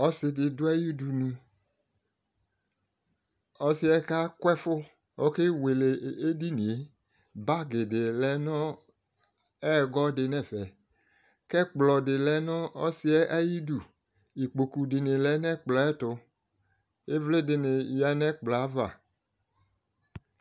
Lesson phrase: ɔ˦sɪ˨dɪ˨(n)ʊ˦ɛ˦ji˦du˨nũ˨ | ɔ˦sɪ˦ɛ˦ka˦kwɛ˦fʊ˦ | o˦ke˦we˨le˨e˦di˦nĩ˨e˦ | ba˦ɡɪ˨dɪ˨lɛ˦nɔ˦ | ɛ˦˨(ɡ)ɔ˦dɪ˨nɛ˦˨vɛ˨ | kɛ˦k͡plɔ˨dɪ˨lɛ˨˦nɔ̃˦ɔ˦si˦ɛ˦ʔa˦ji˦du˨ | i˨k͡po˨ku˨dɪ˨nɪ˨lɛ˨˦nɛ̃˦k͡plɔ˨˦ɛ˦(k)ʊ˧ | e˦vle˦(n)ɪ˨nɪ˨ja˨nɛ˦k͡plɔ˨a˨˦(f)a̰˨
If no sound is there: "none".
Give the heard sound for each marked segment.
d, ɡ, t, d, v

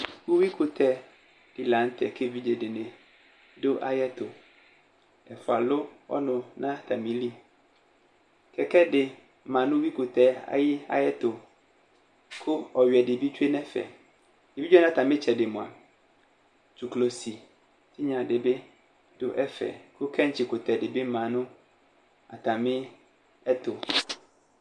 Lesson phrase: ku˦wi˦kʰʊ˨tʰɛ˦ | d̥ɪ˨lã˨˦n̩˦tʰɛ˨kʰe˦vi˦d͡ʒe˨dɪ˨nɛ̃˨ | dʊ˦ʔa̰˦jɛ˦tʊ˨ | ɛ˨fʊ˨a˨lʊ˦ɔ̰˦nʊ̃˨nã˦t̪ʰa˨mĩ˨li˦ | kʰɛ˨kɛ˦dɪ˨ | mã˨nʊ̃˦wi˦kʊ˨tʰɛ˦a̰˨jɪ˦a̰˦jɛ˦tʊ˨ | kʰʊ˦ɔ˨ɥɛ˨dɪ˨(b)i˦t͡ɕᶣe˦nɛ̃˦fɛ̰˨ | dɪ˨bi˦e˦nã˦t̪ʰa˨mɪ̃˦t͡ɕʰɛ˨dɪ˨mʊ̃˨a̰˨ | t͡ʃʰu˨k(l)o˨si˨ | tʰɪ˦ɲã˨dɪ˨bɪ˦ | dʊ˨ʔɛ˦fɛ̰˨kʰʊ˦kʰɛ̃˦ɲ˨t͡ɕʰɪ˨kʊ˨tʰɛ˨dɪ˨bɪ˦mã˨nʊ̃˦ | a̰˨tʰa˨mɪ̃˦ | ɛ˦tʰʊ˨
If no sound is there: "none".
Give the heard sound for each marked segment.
b, l

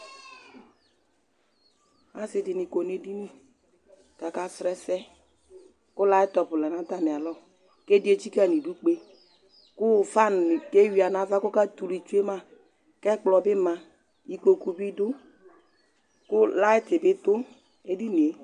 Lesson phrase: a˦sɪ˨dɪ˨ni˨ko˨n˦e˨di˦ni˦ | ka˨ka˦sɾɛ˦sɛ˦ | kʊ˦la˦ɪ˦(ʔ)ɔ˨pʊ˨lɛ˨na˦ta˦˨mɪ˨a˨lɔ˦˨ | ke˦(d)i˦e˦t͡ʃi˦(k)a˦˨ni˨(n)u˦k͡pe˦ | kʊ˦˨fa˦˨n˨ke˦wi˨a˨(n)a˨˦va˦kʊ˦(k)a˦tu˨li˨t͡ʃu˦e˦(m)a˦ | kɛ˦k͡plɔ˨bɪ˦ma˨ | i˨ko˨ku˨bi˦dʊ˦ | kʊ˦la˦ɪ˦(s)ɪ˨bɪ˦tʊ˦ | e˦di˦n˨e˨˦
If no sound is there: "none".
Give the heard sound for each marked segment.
t, d, k, d, n, k, m, t

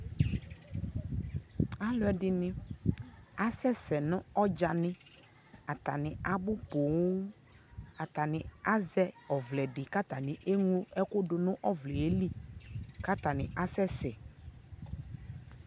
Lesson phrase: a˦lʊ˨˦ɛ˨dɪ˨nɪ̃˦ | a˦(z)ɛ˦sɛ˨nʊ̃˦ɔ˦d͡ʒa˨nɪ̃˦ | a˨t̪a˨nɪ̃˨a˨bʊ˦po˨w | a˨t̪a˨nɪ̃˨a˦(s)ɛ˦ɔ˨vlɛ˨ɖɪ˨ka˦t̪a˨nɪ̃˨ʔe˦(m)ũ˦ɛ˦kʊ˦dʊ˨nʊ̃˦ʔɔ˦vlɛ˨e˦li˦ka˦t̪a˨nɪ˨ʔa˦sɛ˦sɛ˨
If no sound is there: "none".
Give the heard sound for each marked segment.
s, z, ŋ

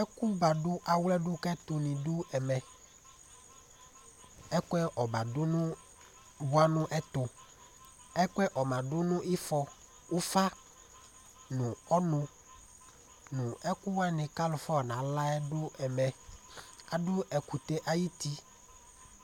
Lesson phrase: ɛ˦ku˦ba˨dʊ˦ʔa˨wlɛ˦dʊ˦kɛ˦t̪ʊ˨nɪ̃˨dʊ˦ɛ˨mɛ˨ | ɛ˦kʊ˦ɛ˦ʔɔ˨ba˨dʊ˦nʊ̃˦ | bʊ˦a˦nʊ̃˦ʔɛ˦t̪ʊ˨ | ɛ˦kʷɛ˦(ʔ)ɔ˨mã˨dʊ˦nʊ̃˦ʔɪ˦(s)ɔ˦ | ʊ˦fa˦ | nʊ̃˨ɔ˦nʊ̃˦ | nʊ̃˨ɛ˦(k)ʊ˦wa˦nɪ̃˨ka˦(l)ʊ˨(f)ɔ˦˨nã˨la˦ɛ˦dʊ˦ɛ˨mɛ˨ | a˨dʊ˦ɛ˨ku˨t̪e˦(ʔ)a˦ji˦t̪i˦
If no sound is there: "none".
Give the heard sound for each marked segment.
ʔ, f, k, l, f, ʔ

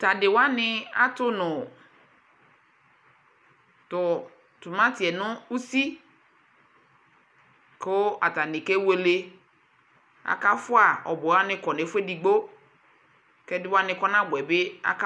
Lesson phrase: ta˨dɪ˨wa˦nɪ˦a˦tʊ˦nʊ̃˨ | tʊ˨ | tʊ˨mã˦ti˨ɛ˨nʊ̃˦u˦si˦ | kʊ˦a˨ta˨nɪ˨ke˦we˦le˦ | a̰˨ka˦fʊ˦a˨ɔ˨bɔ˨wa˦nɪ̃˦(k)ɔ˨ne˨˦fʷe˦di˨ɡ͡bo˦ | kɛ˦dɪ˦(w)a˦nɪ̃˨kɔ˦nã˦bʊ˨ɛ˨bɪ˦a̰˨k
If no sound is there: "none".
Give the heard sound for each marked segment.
k, w

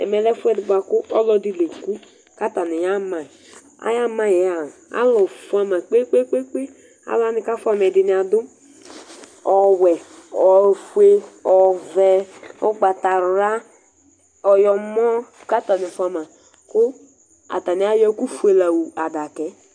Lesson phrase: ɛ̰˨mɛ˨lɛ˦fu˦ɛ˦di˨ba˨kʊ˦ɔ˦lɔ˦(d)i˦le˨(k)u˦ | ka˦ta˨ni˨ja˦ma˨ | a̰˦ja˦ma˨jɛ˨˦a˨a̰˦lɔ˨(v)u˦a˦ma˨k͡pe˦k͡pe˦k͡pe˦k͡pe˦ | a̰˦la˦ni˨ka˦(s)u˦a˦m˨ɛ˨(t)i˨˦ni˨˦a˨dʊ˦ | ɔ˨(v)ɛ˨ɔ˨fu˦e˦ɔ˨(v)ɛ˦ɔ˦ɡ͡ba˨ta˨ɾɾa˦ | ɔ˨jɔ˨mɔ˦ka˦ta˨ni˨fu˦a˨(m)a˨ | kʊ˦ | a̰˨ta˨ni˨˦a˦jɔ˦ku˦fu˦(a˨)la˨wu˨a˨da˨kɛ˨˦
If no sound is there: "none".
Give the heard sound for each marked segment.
d, k, f, f, d, w, v, m, e˨

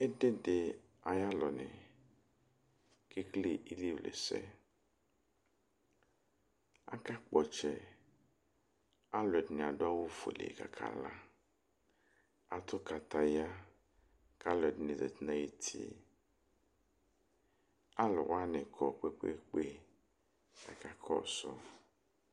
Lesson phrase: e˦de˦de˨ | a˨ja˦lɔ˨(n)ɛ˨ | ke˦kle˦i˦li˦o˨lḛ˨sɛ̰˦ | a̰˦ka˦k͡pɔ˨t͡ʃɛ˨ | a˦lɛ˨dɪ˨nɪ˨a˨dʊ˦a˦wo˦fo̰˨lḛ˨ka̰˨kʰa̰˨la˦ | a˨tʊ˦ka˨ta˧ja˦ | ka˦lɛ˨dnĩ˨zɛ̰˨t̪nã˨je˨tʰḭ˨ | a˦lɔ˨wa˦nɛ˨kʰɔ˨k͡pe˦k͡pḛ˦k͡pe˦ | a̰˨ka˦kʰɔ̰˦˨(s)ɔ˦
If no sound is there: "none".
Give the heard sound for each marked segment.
n, s

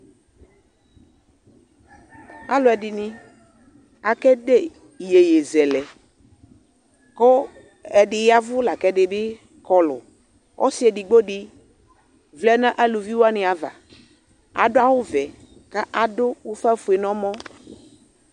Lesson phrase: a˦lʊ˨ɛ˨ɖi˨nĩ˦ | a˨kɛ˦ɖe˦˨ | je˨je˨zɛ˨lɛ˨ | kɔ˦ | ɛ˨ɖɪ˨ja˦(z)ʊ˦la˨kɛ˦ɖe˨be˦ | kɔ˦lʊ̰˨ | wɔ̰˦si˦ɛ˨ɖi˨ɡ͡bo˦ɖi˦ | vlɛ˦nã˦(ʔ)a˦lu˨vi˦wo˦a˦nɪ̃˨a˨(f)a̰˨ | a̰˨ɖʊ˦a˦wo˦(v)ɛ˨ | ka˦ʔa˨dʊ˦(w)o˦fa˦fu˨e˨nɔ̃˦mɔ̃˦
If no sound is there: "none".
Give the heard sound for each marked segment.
v, ʔ, v, v, w

